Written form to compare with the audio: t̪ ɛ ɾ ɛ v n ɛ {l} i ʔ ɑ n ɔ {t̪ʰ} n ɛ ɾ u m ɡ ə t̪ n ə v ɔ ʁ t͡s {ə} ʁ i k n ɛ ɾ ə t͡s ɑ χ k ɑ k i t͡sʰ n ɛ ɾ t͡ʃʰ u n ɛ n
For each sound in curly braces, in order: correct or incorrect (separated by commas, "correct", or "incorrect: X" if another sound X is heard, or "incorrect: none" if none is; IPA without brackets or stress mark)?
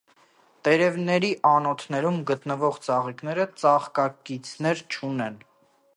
incorrect: ɾ, correct, incorrect: ɑ